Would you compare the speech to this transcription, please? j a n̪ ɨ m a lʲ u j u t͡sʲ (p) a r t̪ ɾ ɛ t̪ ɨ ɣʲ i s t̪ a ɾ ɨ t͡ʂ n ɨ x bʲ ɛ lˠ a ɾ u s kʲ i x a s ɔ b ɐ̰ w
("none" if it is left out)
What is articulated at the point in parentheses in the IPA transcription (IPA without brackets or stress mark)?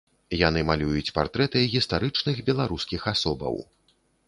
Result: p